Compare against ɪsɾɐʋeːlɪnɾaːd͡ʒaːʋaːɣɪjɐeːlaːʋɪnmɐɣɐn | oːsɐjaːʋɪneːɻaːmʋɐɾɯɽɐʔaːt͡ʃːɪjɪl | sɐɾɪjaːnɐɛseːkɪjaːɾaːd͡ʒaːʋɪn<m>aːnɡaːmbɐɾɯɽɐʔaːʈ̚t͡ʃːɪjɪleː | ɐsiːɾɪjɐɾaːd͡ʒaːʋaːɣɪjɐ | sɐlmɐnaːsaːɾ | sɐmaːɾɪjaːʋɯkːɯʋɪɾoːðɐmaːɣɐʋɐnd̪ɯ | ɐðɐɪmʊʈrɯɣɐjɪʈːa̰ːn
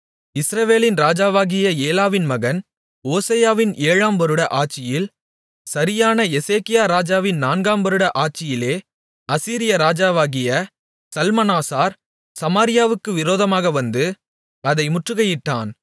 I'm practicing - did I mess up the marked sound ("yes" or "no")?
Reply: yes